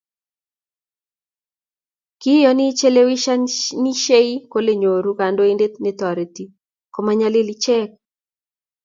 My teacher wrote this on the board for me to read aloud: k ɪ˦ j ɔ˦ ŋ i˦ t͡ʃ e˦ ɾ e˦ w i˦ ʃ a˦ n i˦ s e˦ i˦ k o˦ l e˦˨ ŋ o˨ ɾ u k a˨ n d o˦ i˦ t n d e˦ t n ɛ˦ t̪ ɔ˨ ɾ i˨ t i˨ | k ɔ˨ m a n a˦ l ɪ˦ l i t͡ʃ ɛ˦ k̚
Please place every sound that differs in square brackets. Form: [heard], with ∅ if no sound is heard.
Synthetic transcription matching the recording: k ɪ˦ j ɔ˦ [n] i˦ t͡ʃ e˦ [l] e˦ w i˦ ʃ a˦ n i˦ [ʃ] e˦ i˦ k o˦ l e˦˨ [ɲ] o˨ ɾ u k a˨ n d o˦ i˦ [∅] n d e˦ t n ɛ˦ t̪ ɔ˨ ɾ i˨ t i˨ | k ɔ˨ m a [ɲ] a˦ l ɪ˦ l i t͡ʃ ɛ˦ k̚